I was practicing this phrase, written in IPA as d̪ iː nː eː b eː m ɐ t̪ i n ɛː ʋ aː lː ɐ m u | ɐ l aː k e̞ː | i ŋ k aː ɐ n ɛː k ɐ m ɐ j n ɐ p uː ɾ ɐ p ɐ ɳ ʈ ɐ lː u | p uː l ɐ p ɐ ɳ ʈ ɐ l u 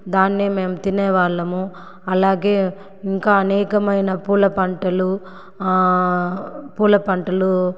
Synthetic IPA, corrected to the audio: d̪ aː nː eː m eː m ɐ t̪ i n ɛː ʋ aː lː ɐ m u | ɐ l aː ɡ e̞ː | i ŋ k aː ɐ n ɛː k ɐ m ɐ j n ɐ p uː l ɐ p ɐ ɳ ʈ ɐ l u | p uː l ɐ p ɐ ɳ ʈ ɐ l u